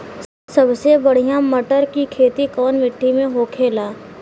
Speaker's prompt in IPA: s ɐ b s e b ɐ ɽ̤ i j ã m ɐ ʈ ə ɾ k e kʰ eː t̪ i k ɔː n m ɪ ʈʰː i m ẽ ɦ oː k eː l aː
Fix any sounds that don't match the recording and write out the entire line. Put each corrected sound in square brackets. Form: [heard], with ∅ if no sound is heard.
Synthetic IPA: s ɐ b s e b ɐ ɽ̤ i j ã m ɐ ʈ ə ɾ k [i] kʰ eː t̪ i k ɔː n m ɪ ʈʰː i m ẽ ɦ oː [kʰ] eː l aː